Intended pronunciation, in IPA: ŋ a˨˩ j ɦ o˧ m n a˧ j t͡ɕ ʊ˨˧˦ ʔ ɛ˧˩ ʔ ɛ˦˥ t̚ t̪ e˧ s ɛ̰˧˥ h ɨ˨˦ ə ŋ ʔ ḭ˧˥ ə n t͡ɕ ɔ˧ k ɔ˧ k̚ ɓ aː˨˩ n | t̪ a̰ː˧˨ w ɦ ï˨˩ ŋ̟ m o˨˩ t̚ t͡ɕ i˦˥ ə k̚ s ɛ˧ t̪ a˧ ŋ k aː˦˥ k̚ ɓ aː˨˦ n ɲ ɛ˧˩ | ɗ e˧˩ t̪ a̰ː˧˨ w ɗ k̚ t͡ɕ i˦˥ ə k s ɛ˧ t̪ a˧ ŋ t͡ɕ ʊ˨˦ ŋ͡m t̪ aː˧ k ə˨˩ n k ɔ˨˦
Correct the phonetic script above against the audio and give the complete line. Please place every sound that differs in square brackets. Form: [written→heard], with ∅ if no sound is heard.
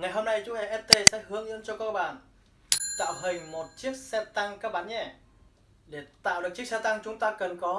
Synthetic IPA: ŋ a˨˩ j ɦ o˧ m n a˧ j t͡ɕ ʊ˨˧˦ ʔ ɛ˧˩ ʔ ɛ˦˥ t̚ t̪ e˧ s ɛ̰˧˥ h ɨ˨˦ ə ŋ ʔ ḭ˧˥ ə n t͡ɕ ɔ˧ k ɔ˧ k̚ ɓ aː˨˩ n | t̪ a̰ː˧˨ w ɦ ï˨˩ ŋ̟ m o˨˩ t̚ t͡ɕ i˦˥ ə k̚ s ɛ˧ t̪ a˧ ŋ k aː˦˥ k̚ ɓ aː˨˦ n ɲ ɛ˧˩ | ɗ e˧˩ t̪ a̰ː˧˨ w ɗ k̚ t͡ɕ i˦˥ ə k s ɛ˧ t̪ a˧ ŋ t͡ɕ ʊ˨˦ ŋ͡m t̪ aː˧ k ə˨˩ n k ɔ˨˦